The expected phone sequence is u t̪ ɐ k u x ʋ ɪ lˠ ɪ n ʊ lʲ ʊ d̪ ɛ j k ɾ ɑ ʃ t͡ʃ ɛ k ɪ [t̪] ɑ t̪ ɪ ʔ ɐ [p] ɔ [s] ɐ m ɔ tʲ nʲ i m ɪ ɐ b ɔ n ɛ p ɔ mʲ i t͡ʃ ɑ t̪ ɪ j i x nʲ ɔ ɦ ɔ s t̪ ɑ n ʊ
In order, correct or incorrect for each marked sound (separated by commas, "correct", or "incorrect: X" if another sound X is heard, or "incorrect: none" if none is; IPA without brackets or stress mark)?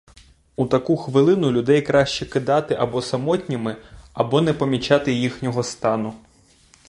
incorrect: d̪, incorrect: b, correct